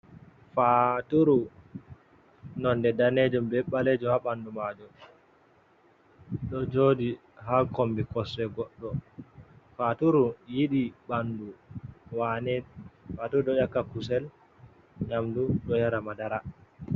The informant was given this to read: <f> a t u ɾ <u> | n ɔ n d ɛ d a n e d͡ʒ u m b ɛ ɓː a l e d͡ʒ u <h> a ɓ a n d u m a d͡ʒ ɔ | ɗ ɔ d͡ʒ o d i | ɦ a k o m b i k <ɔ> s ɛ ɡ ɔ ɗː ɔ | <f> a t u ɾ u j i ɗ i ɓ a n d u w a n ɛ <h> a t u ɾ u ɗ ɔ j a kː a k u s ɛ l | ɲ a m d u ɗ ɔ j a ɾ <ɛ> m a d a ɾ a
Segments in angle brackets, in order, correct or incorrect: correct, correct, correct, correct, correct, incorrect: f, incorrect: a

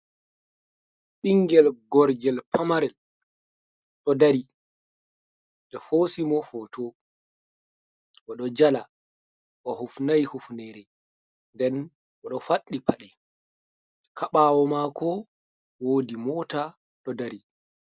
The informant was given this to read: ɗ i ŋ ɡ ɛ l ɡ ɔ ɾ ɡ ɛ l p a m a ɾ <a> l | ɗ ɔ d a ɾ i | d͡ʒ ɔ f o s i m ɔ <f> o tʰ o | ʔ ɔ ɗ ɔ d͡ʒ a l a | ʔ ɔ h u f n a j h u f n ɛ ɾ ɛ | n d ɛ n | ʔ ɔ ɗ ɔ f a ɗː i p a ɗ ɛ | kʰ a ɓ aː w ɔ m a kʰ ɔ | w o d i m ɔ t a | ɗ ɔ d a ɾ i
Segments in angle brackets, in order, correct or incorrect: incorrect: ɛ, correct

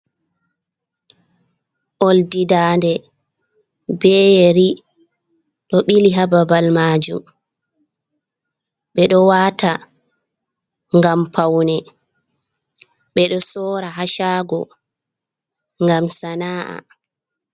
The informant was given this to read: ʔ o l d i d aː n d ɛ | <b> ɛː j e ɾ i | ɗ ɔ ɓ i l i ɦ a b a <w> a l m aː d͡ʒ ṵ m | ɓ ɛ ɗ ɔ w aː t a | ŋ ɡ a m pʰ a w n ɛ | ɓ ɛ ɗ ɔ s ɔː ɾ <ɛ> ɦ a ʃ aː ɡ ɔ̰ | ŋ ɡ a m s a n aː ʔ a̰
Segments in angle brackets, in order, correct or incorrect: correct, incorrect: b, incorrect: a

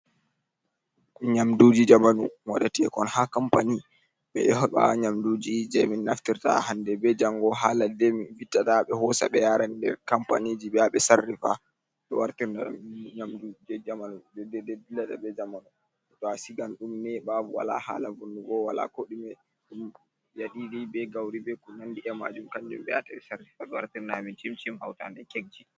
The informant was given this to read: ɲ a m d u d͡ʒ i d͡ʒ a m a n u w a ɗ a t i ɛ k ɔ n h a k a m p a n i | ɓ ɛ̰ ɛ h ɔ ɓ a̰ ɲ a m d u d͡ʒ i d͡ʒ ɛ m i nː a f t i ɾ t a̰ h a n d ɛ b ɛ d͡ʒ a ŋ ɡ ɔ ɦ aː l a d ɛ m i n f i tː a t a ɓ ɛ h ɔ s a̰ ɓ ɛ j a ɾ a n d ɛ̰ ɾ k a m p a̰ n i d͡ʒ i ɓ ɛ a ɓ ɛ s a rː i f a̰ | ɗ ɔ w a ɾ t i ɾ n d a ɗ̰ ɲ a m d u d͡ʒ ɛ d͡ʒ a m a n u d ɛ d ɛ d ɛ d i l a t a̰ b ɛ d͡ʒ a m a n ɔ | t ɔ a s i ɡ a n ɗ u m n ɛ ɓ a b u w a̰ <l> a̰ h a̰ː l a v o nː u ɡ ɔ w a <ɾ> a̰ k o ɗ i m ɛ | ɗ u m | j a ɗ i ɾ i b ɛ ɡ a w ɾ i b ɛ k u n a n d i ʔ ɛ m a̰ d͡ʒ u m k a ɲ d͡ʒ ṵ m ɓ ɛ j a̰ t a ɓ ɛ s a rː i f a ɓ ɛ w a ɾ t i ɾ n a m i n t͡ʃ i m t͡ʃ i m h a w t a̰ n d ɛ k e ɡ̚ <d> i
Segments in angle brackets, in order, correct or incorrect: correct, incorrect: l, incorrect: d͡ʒ

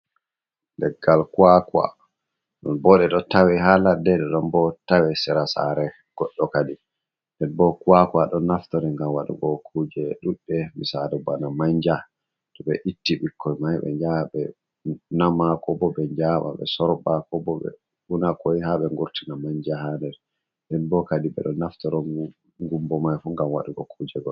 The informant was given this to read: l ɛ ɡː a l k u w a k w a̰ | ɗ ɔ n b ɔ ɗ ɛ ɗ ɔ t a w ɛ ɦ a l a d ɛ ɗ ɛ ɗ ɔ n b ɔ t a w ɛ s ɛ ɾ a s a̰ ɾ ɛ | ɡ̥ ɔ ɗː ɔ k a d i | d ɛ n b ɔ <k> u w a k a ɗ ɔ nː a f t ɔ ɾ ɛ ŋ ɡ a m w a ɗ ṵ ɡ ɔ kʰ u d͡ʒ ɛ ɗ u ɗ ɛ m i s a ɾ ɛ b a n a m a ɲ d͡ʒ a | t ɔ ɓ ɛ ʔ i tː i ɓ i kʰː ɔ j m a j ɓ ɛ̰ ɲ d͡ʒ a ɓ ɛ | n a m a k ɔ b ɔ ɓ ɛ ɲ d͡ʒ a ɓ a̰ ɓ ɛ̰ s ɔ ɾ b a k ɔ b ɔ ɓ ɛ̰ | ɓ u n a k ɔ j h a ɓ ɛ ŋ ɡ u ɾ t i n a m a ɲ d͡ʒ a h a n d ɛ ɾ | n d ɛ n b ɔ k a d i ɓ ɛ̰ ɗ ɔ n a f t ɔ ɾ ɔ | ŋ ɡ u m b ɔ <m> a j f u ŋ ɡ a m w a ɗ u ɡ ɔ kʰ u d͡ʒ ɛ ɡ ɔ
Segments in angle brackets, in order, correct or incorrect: correct, correct

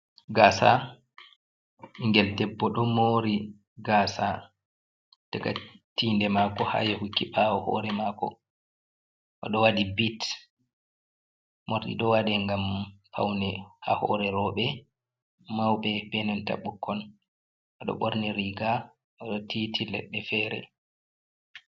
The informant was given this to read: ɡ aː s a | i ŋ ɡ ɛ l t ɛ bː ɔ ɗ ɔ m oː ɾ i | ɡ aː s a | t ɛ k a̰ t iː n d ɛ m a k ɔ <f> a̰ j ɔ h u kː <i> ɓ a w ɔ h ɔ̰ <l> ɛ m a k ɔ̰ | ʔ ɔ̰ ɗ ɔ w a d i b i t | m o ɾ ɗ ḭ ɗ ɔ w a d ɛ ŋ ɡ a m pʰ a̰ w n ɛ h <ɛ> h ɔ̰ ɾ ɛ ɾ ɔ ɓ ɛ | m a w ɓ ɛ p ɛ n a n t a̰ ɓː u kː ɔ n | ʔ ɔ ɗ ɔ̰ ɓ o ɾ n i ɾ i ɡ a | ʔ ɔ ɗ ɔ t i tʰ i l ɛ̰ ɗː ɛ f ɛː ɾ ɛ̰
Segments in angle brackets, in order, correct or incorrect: incorrect: h, correct, incorrect: ɾ, incorrect: a

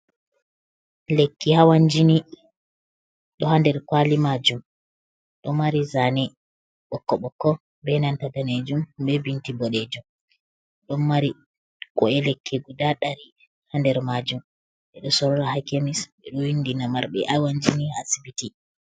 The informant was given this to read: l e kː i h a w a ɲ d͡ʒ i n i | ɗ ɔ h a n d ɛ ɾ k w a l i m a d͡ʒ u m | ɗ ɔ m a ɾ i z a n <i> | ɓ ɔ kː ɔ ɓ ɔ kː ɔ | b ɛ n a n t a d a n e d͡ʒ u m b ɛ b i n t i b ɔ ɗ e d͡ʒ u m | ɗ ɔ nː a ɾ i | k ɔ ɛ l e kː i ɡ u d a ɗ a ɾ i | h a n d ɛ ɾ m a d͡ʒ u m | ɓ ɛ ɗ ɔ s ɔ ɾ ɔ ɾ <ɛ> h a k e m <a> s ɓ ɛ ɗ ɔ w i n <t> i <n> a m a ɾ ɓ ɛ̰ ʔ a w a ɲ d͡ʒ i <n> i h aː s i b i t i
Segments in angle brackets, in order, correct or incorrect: incorrect: ɛ, incorrect: a, incorrect: i, incorrect: d, correct, correct

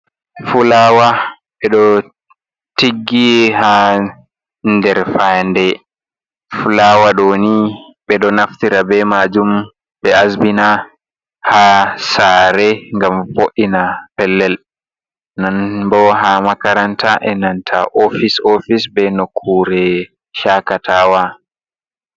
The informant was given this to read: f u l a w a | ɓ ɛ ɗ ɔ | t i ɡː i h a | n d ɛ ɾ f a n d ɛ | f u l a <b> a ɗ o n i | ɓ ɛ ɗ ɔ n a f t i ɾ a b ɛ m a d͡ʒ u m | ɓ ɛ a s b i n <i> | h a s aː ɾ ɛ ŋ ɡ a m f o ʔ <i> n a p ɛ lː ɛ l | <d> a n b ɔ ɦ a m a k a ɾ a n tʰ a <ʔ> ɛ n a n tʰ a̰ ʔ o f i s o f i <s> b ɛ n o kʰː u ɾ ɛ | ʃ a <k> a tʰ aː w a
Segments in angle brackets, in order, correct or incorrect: incorrect: w, incorrect: a, correct, incorrect: n, correct, correct, correct

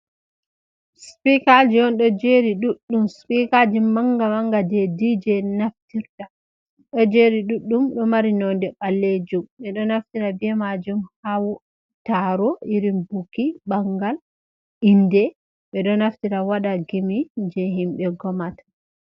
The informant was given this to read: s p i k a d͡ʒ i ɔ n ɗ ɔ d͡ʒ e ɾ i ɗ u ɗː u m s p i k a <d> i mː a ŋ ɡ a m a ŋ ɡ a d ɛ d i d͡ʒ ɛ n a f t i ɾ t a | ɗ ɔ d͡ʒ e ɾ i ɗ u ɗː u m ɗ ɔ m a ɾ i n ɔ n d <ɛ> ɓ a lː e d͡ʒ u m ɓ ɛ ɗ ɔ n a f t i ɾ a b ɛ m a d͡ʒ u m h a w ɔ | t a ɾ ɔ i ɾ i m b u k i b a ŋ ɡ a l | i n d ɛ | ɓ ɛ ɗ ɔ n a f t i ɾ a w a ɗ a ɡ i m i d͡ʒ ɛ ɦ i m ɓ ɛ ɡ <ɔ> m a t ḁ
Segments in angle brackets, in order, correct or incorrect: incorrect: d͡ʒ, correct, correct

